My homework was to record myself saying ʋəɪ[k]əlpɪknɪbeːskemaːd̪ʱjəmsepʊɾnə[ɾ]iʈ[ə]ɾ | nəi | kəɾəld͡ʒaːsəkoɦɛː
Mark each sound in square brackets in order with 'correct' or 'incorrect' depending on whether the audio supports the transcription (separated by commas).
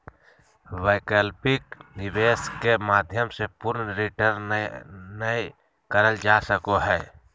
correct, correct, correct